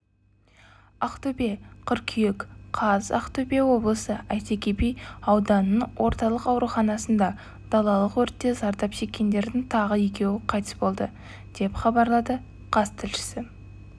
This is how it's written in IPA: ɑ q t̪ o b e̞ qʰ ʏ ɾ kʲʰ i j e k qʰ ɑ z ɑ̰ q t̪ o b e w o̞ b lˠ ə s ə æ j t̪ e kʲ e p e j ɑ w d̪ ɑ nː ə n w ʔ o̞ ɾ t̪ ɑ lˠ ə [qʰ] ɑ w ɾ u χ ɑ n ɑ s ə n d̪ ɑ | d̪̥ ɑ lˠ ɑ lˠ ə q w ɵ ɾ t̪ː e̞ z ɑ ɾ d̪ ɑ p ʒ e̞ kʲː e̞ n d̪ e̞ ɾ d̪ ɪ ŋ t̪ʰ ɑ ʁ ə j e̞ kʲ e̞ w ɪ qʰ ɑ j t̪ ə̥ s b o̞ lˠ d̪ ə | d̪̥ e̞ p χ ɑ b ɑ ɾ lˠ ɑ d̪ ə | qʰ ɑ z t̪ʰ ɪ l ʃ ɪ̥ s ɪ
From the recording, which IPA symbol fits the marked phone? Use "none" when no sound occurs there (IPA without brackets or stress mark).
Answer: q